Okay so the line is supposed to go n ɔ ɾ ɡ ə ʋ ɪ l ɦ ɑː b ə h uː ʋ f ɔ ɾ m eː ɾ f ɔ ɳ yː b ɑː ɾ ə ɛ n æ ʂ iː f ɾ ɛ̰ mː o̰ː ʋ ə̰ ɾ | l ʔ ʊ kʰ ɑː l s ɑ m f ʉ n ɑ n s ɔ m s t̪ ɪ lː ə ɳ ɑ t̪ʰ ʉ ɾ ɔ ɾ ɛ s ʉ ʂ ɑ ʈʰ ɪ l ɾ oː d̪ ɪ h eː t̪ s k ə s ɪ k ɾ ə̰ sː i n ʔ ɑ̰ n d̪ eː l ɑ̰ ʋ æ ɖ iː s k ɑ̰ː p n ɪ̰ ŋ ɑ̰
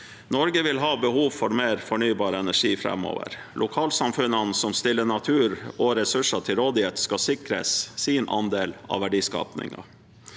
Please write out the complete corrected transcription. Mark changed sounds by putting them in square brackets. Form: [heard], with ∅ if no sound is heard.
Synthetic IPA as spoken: n ɔ ɾ ɡ ə ʋ ɪ l ɦ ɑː b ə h uː ʋ f ɔ ɾ m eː ɾ f ɔ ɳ yː b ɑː ɾ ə ɛ n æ ʂ iː f ɾ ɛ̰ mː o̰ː ʋ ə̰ ɾ | l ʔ ʊ kʰ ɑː l s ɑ m f ʉ n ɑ n s ɔ m s t̪ ɪ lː ə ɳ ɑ t̪ʰ [ʉː] ɾ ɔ ɾ ɛ s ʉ ʂ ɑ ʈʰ ɪ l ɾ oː d̪ ɪ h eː t̪ s k [ɑ] s ɪ k ɾ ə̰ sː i n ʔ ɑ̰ n d̪ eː l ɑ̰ ʋ æ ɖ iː s k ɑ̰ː p n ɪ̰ ŋ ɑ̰